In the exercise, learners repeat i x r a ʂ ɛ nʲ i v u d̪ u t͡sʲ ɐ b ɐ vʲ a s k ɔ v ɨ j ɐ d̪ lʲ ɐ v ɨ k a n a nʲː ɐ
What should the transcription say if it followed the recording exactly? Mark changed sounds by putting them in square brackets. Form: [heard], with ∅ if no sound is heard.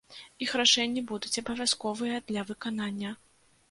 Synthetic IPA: i x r a ʂ ɛ [nʲː] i [b] u d̪ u t͡sʲ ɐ b ɐ vʲ a s k ɔ v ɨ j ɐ d̪ lʲ ɐ v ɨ k a n a nʲː ɐ